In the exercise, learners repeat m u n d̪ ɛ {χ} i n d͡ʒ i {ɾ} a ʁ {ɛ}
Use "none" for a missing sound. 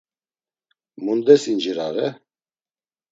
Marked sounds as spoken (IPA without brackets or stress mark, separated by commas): s, ɾ, ɛ